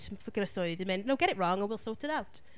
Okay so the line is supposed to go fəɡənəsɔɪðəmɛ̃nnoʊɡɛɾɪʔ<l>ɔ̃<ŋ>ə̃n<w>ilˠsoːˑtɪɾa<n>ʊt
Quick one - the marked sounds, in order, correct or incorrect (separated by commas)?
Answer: incorrect, correct, correct, incorrect